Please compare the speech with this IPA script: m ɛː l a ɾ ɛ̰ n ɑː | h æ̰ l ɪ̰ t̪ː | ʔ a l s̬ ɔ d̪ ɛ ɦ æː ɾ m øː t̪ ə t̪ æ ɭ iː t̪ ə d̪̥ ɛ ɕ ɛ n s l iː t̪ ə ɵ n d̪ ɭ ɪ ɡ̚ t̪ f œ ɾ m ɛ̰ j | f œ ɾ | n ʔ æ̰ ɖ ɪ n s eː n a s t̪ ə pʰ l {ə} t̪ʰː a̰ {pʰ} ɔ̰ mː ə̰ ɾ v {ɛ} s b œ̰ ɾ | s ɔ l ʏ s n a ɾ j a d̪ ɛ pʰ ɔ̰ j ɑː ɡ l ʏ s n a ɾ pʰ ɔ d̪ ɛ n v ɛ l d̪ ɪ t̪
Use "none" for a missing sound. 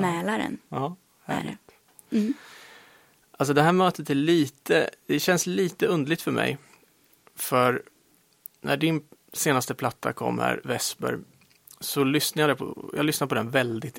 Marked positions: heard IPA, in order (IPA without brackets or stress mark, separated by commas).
a, kʰ, ɛ